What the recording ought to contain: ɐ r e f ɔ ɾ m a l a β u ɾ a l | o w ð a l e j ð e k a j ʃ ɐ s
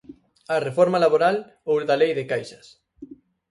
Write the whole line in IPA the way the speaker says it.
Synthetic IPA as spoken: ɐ r e f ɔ ɾ m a l a β o ɾ a l | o w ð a l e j ð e k a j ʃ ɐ s